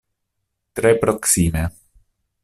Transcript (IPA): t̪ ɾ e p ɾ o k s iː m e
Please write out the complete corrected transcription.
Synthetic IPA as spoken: t̪ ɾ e p ɾ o k s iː m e